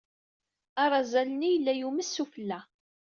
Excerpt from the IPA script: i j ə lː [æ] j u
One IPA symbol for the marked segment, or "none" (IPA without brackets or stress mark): æ